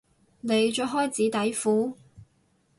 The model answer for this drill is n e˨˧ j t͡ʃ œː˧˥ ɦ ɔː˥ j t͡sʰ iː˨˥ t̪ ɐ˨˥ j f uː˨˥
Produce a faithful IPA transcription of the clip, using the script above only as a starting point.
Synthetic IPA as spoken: n e˨˧ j t͡ʃ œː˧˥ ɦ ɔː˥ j t͡s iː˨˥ t̪ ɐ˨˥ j f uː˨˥

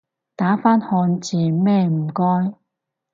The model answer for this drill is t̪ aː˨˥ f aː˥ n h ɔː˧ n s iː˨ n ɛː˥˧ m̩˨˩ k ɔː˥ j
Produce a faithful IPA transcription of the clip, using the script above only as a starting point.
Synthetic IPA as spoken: t̪ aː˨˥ f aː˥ n h ɔː˧ n t͡s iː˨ m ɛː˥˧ m̩˨˩ k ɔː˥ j

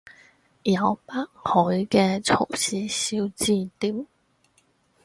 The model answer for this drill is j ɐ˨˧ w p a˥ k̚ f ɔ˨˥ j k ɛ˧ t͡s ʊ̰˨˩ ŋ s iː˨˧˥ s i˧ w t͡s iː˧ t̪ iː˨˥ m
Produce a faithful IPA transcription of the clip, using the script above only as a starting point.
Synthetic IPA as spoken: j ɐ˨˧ w p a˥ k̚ h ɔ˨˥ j k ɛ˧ t͡sʰ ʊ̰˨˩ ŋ s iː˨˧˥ s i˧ w t͡s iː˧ t̪ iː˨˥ m

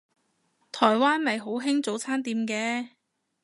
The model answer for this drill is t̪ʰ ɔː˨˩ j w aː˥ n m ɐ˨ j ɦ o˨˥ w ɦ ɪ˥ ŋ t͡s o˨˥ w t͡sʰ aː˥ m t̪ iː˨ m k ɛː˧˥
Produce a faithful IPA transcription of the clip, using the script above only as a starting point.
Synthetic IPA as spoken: t̪ʰ ɔː˨˩ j w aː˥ n m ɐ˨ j ɦ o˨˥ w ɦ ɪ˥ ŋ t͡s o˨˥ w t͡sʰ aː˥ n t̪ iː˨ m k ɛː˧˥

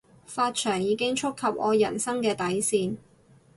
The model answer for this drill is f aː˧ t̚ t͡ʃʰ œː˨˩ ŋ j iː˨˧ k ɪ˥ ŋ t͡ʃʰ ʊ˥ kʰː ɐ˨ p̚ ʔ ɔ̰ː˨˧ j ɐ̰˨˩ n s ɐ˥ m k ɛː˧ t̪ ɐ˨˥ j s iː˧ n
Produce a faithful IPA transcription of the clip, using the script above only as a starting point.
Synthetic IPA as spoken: f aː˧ t̚ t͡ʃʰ œː˨˩ ŋ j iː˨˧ k ɪ˥ ŋ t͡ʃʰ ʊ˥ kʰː ɐ˨ p̚ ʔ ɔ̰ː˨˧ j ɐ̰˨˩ n s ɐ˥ ŋ k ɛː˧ t̪ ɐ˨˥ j s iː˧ n

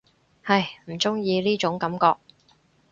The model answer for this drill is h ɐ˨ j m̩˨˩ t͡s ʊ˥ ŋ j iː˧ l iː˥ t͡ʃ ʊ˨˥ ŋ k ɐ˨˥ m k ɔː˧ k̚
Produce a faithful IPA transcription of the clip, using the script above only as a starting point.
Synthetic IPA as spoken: h ɐ˨ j m̩˨˩ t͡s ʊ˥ ŋ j iː˧ l iː˥ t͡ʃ ʊ˨˥ ŋ k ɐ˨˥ m k ɔː˧ k̚

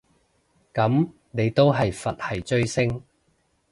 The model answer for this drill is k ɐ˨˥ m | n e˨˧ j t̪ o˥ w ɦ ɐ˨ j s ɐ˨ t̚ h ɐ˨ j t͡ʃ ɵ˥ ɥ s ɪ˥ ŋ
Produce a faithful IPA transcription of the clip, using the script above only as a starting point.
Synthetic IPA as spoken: k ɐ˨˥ m | n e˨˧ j t̪ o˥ w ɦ ɐ˨ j f ɐ˨ t̚ h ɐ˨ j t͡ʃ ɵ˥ ɥ s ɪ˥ ŋ

